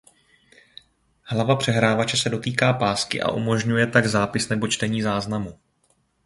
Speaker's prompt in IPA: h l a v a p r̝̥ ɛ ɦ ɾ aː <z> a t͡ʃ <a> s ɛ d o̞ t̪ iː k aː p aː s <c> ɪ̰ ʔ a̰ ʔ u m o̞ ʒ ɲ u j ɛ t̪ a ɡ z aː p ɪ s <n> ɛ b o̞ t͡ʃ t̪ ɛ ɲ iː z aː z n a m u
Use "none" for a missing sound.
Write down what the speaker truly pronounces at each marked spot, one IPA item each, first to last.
v, ɛ, k, n

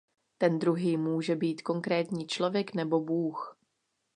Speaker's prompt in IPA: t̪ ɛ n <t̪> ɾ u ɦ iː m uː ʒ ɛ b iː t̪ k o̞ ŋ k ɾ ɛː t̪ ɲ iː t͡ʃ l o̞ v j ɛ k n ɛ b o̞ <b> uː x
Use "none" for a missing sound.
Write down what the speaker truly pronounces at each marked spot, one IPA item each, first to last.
d̪, b

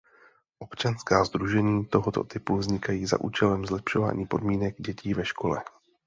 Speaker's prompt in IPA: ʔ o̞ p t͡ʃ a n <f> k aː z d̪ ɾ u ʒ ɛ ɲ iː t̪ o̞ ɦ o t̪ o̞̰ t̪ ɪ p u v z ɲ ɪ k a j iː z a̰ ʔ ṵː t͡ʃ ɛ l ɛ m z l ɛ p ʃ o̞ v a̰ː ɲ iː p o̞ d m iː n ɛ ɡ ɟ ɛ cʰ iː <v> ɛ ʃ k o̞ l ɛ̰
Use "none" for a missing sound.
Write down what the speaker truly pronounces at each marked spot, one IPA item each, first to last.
s, v

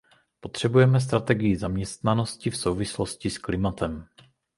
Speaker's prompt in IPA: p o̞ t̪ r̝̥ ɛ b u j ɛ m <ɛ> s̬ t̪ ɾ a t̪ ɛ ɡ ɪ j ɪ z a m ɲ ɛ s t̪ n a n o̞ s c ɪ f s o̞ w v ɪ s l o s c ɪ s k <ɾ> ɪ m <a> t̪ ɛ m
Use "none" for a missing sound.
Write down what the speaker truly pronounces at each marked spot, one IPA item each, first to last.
ɛ, l, a

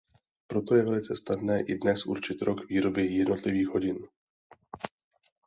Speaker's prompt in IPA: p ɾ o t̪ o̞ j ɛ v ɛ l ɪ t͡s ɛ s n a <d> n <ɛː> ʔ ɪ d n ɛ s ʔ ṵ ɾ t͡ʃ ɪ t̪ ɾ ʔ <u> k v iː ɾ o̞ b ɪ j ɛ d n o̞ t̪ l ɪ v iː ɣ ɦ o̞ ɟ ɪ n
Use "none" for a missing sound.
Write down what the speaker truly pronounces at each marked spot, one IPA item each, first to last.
d, ɛː, o

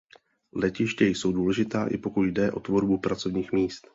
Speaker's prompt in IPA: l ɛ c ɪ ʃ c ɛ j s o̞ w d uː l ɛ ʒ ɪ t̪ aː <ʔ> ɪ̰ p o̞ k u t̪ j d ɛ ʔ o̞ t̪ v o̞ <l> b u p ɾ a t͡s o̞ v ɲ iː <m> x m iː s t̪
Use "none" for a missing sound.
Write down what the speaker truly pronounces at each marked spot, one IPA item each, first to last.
ʔ, ɾ, none

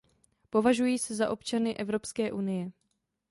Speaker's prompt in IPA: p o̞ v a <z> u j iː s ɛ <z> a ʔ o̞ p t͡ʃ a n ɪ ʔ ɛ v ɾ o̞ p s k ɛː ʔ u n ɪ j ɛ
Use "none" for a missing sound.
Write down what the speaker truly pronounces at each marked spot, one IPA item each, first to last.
ʒ, z

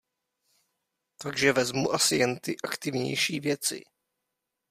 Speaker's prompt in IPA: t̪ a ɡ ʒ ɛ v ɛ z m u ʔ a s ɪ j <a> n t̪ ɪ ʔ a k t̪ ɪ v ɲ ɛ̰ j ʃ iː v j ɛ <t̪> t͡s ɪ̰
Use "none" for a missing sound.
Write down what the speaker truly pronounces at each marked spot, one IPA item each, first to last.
ɛ, none

